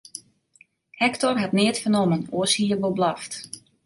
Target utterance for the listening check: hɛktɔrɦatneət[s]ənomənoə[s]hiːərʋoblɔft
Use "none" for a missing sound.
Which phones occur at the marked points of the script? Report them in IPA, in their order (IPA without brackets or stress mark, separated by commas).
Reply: f, s